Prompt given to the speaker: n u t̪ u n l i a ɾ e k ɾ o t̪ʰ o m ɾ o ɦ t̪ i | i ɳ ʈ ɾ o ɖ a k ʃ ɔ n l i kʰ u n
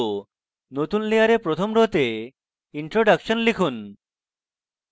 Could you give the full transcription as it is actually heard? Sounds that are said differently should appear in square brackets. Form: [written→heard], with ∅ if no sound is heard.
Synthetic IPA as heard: n [u→o] t̪ u n l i a ɾ e [k→p] ɾ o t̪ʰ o m ɾ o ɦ t̪ [i→e] | i ɳ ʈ ɾ o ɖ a k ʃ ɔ n l i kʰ u n